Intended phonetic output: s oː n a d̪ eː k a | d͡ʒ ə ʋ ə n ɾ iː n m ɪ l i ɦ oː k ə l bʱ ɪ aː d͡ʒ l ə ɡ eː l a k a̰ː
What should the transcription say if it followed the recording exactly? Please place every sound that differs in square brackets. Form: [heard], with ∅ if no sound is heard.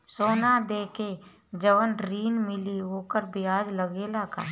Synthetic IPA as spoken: s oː n a d̪ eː k [e] | d͡ʒ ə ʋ ə n ɾ iː n m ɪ l i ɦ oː k ə [ɾ] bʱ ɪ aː d͡ʒ l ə ɡ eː l a k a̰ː